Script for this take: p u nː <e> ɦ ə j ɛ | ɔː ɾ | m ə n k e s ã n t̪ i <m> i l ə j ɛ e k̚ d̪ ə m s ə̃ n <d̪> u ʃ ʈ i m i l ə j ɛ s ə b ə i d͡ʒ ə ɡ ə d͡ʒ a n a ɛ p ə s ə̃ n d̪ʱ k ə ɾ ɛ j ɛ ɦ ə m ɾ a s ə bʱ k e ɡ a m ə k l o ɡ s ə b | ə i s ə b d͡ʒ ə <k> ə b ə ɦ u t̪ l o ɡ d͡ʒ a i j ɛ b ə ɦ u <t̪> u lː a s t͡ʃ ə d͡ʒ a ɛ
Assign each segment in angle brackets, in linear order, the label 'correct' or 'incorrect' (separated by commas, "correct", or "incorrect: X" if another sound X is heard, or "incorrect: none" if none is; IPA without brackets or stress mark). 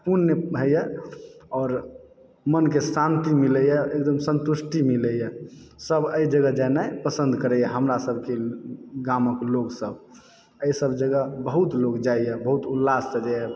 correct, correct, incorrect: t̪, incorrect: ɡ, correct